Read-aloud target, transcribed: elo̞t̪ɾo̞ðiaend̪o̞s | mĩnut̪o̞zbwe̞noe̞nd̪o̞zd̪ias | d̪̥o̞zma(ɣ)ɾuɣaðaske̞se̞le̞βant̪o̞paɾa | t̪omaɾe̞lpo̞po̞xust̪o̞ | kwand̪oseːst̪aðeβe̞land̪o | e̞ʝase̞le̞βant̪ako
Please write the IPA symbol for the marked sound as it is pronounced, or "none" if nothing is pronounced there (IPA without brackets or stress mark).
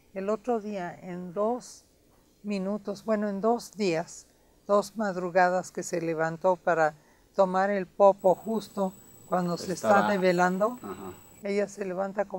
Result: ð